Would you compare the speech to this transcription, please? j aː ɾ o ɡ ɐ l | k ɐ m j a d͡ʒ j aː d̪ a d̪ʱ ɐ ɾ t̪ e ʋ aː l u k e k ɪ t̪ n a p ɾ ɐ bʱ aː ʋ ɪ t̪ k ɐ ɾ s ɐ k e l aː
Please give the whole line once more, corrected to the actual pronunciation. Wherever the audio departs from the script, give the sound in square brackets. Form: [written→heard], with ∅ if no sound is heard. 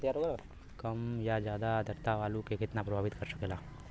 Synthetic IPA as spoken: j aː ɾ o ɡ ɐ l | k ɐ m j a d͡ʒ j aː d̪ a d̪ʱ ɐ ɾ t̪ [e→a] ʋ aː l u k e k ɪ t̪ n a p ɾ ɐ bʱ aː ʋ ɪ t̪ k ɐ ɾ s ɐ k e l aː